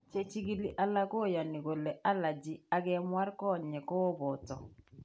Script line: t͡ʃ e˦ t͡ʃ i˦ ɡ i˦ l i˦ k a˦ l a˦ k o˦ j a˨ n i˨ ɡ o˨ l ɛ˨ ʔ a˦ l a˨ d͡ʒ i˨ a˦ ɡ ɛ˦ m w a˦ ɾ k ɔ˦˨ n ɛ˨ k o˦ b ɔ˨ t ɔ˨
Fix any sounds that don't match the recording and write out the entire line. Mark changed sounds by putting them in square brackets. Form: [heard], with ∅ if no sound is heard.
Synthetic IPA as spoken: t͡ʃ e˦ t͡ʃ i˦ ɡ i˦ l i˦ [ʔ] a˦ l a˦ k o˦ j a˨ n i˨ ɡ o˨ l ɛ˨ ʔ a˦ l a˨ d͡ʒ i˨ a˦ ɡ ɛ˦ m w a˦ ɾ k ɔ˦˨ [ɲ] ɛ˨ k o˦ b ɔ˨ t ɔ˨